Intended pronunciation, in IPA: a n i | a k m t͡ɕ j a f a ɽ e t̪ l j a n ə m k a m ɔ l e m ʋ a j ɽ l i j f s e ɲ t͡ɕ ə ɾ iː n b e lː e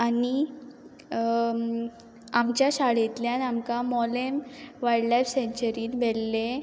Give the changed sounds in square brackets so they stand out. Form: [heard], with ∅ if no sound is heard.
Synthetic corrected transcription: a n i | a [∅] m t͡ɕ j a [ɕ] a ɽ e t̪ l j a n [a] m k a m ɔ l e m ʋ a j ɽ l [a] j f s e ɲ t͡ɕ ə ɾ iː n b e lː e